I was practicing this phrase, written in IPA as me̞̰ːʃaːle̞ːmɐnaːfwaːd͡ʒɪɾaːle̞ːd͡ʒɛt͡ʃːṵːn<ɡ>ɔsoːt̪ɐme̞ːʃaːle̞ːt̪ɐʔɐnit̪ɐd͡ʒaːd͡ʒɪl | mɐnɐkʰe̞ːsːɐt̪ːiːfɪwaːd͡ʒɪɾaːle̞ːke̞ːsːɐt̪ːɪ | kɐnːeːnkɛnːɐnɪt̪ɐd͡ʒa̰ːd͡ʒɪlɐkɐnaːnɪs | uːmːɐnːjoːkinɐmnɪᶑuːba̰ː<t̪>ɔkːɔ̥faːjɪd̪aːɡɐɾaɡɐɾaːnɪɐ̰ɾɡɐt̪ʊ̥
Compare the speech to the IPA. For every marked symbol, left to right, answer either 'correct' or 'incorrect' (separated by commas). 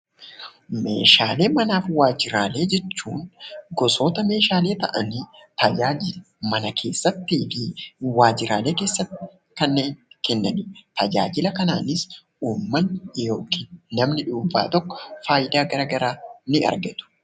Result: correct, correct